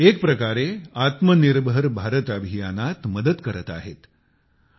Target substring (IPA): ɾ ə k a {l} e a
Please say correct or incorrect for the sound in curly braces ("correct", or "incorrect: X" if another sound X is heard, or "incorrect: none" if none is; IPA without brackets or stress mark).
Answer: incorrect: ɾ